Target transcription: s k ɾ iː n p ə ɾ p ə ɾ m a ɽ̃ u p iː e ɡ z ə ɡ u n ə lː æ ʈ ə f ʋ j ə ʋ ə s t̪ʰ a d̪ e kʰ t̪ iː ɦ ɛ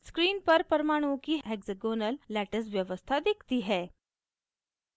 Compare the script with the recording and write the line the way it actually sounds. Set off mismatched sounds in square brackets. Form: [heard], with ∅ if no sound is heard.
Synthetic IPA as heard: s k ɾ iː n p ə ɾ p ə ɾ m a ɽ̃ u [k] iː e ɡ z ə ɡ [o] n ə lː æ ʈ ə [s] ʋ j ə ʋ ə s t̪ʰ a d̪ e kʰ t̪ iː ɦ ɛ